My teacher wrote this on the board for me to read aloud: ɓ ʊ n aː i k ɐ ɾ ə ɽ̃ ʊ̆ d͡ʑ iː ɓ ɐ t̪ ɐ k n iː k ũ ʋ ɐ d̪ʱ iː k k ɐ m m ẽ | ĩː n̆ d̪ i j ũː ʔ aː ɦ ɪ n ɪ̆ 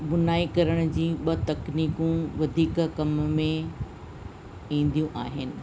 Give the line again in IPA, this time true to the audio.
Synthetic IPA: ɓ ʊ n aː i k ɐ ɾ ə ɽ̃ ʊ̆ d͡ʑ iː ɓ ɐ t̪ ɐ k n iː k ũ ʋ ɐ d̪ʱ iː k k ɐ m m ẽ | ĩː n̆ d̪ i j ũ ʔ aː ɦ ɪ n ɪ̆